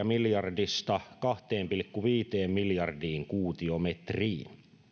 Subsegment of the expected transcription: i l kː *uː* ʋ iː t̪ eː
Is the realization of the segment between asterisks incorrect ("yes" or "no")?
yes